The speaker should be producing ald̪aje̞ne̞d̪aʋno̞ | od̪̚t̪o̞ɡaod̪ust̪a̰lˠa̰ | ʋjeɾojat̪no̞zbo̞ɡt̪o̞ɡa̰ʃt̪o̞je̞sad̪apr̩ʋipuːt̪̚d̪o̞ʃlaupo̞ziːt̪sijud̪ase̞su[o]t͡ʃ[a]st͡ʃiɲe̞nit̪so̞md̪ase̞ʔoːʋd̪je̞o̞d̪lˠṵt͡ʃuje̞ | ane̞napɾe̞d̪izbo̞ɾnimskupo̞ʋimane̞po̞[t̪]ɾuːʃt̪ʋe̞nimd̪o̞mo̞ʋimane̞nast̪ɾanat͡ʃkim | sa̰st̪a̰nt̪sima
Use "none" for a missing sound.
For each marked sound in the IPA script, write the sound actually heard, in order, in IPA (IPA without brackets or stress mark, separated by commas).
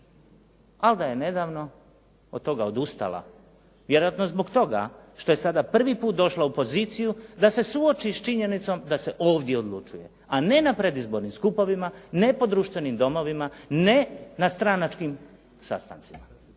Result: o, i, d̪